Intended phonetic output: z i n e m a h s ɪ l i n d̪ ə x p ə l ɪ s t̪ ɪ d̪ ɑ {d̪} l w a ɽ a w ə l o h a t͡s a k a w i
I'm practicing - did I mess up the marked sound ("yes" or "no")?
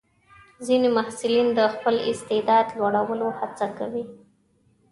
no